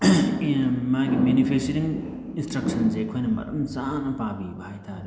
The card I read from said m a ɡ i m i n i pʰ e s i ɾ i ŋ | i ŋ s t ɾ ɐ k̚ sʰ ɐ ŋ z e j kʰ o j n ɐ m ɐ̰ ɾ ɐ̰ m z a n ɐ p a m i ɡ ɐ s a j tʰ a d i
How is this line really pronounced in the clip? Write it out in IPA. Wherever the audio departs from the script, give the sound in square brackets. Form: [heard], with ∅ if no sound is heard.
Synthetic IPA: m a ɡ i m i n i pʰ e s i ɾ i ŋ | i [n] s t ɾ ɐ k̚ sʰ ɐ [n] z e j kʰ o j n ɐ m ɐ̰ ɾ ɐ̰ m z a n ɐ p a [b] i [b] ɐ [h] a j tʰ a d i